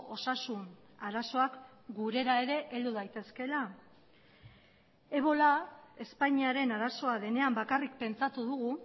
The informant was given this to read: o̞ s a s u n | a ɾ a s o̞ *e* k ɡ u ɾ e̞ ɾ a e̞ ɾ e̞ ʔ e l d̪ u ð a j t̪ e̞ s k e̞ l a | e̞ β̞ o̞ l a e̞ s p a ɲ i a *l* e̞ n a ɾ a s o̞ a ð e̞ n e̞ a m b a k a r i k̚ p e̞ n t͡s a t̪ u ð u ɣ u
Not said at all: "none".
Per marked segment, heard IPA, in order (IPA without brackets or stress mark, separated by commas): a, ɾ